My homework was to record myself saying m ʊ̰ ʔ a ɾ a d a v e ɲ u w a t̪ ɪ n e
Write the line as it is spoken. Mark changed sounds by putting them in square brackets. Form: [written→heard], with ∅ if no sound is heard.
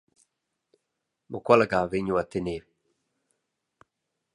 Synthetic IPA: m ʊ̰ [ʔ→k] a [ɾ→l] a [d→ɡ] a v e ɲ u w a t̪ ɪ n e